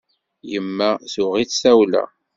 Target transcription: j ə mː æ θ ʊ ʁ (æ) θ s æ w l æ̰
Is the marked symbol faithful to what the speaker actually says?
no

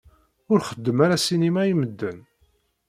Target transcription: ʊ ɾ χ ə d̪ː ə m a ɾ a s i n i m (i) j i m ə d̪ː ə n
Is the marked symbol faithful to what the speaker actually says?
no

